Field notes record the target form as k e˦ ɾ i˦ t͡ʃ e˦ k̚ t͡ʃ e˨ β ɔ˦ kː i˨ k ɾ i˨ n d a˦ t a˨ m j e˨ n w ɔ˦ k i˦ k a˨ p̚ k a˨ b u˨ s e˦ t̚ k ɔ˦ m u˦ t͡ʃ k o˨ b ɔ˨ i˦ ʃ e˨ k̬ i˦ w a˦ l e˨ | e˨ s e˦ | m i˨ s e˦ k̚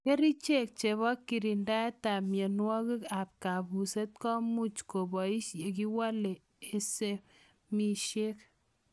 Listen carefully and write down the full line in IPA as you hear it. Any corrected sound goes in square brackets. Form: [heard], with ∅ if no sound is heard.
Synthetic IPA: k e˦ ɾ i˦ t͡ʃ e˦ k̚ t͡ʃ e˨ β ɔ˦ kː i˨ [∅] ɾ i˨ n d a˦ t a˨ m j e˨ n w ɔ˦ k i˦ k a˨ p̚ k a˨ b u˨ s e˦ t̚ k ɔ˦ m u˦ t͡ʃ k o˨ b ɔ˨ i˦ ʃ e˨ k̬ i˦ w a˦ l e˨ | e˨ s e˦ | m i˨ [ʃ] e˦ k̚